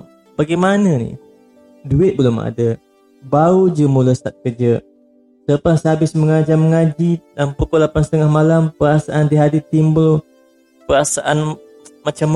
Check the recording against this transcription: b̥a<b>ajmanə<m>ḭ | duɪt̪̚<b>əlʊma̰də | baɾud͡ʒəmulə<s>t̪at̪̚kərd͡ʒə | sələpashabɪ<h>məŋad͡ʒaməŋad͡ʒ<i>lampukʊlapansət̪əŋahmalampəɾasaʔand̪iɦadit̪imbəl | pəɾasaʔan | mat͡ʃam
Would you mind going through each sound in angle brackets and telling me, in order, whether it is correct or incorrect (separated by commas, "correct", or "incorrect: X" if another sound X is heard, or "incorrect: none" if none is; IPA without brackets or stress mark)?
incorrect: ɡ, incorrect: n, correct, correct, incorrect: s, correct